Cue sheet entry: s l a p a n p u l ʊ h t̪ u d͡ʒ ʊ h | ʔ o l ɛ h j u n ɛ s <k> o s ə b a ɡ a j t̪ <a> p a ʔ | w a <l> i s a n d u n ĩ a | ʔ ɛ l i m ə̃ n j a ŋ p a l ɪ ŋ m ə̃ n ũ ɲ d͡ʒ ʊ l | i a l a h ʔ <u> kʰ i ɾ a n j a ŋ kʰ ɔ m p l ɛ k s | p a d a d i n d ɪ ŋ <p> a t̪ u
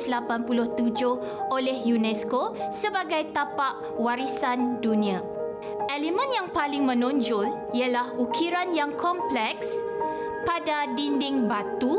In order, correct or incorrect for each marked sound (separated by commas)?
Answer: correct, correct, incorrect, correct, incorrect